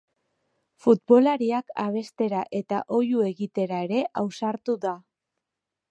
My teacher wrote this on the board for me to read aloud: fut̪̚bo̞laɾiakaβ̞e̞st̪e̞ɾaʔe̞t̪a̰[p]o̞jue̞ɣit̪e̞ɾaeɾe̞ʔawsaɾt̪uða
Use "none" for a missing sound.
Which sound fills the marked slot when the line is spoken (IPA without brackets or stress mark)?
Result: ʔ